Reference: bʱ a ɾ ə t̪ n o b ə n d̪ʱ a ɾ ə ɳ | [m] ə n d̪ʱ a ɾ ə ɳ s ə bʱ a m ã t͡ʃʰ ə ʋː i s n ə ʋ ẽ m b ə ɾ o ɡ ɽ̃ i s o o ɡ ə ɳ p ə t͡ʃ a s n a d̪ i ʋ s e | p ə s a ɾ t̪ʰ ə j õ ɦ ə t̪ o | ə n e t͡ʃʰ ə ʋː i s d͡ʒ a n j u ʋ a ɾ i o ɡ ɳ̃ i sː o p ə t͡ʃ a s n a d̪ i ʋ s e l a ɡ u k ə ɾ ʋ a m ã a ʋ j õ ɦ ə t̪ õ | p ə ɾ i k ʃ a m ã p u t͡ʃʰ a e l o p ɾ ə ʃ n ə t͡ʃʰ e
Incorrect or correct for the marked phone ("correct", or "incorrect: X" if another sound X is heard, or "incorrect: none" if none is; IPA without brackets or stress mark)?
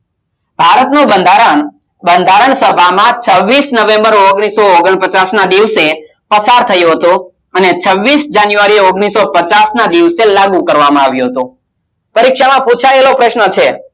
incorrect: b